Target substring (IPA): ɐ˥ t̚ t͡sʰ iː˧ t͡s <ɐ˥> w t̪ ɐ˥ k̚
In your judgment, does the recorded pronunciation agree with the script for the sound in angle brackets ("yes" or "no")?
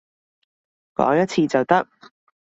no